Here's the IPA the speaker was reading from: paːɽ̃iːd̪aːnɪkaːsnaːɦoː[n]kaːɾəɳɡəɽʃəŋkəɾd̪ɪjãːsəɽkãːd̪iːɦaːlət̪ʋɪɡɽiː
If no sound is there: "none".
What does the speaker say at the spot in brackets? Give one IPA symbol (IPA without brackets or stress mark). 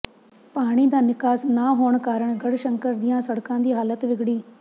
ɳ